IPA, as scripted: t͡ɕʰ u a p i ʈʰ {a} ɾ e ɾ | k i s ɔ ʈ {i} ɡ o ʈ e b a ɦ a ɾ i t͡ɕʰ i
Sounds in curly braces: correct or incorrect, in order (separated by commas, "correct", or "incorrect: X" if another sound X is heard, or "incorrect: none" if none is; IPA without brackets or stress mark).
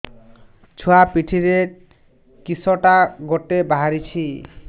incorrect: i, incorrect: a